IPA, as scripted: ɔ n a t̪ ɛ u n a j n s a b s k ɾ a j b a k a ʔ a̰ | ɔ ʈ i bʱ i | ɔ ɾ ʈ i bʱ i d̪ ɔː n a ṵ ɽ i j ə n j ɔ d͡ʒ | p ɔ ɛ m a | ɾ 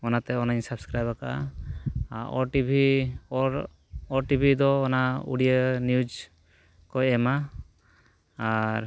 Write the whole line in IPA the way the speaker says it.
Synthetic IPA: ɔ n a t̪ ɛ ɔ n a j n s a b s k ɾ a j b a k a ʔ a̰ | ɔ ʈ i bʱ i | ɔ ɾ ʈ i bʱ i d̪ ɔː n a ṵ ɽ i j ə n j u d͡ʒ | k ɔ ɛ m a | ɾ

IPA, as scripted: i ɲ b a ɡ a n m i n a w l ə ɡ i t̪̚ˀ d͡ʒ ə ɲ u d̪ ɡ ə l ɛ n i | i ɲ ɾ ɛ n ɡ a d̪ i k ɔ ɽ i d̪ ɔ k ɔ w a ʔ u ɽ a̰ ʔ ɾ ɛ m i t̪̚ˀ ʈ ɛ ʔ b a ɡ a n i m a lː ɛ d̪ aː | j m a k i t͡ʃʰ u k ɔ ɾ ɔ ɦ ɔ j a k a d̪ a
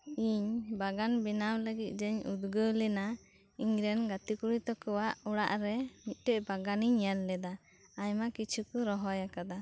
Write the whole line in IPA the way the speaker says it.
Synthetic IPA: i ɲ b a ɡ a n b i n a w l ə ɡ i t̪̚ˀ d͡ʒ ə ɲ u d̪ ɡ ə l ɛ n a | i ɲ ɾ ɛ n ɡ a t̪ i k u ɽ i t̪ ɔ k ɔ w a ʔ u ɽ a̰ ʔ ɾ ɛ m i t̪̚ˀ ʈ ɛ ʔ b a ɡ a n i ɲ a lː ɛ d̪ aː | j m a k i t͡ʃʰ u k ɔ ɾ ɔ ɦ ɔ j a k a d̪ a

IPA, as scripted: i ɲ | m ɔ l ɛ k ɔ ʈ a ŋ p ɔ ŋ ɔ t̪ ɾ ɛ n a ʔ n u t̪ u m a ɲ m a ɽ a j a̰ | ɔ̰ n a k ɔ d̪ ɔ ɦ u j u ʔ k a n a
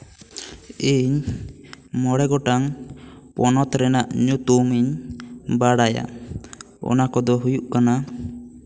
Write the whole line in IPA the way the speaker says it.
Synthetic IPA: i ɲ | m ɔ ɽ ɛ ɡ ɔ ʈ a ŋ p ɔ n ɔ t̪ ɾ ɛ n a ʔ ɲ u t̪ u m i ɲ b a ɽ a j a̰ | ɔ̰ n a k ɔ d̪ ɔ ɦ u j u ʔ k a n a

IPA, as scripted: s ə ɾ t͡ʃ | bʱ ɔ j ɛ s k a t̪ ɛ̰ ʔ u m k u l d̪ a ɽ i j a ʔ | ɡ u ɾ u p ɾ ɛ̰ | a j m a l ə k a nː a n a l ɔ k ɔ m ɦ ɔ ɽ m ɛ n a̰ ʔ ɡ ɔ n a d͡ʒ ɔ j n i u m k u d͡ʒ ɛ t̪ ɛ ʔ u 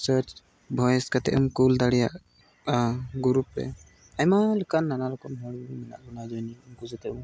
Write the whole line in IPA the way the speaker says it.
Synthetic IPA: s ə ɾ t͡ʃ | bʱ ɔ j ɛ s k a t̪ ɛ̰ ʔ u m k u l d̪ a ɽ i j a ʔ | ɡ u ɾ u p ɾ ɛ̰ | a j m a l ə k a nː a n a l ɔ k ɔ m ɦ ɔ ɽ m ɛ n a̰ ʔ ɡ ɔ n a d͡ʒ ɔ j n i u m k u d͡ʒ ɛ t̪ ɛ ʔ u

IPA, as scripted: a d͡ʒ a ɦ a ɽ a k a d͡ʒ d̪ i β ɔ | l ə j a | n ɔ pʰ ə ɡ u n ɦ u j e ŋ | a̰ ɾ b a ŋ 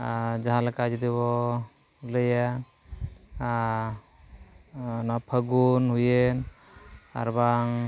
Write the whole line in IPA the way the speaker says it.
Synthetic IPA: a d͡ʒ a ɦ a l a k a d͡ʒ d̪ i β ɔ | l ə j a | n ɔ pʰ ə ɡ u n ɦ u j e n | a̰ ɾ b a ŋ

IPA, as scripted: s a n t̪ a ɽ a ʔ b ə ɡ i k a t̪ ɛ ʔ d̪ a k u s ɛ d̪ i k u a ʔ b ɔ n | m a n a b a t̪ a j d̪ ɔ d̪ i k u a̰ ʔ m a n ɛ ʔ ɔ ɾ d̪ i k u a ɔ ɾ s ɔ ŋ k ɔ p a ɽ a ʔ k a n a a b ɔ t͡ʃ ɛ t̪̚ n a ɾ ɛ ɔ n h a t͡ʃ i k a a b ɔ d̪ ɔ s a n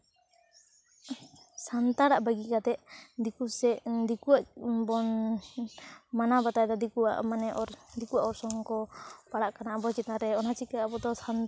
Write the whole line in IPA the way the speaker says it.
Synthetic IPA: s a n t̪ a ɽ a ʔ b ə ɡ i k a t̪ ɛ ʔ d̪ i k u s ɛ d̪ i k u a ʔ b ɔ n | m a n a b a t̪ a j d̪ ɔ d̪ i k u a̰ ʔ m a n ɛ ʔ ɔ ɾ d̪ i k u a ɔ ɾ s ɔ ŋ k ɔ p a ɽ a ʔ k a n a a b ɔ t͡ʃ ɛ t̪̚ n a ɾ ɛ ɔ n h a t͡ʃ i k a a b ɔ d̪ ɔ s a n

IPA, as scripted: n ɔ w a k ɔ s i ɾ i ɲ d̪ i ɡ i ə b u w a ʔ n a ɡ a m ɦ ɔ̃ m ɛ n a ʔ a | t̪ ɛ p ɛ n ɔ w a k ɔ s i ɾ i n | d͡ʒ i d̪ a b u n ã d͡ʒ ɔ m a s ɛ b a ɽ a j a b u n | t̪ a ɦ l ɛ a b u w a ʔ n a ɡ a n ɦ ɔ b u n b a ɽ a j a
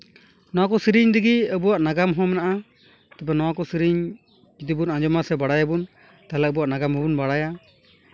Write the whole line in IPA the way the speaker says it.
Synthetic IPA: n ɔ w a k ɔ s i ɾ i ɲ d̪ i ɡ i ə b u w a ʔ n a ɡ a m ɦ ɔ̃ m ɛ n a ʔ a | t̪ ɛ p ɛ n ɔ w a k ɔ s i ɾ i ɲ | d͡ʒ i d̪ i b u n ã d͡ʒ ɔ m a s ɛ b a ɽ a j a b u n | t̪ a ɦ l ɛ ə b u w a ʔ n a ɡ a m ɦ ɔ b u n b a ɽ a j a

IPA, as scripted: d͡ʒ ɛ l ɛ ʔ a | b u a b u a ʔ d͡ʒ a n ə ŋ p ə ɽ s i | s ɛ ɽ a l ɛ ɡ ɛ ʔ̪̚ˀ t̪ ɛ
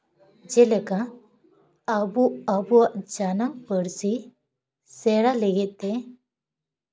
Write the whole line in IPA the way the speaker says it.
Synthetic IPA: d͡ʒ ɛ l ɛ k a | b u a b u a ʔ d͡ʒ a n a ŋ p ə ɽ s i | s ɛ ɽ a l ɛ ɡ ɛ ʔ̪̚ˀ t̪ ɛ

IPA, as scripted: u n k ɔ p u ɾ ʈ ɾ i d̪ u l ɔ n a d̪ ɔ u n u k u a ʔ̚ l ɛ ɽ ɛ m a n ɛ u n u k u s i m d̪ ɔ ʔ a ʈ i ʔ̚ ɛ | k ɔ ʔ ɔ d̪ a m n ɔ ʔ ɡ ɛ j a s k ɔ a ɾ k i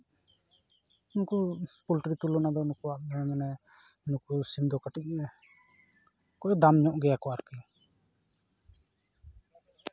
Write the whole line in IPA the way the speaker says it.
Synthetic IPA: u n k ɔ p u l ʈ ɾ i t̪ u l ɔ n a d̪ ɔ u n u k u a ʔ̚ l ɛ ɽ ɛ m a n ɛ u n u k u s i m d̪ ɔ k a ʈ i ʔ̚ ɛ | k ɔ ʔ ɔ d̪ a m ɲ ɔ ʔ ɡ ɛ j a k ɔ a ɾ k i

